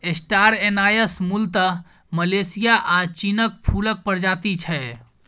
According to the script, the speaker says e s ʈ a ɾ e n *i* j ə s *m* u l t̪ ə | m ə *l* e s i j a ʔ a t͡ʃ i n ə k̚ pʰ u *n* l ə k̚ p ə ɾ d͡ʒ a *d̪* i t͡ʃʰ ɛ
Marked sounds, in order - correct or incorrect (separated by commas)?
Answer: incorrect, correct, correct, incorrect, incorrect